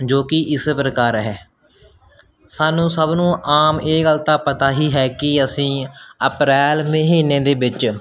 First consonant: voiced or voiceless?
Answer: voiced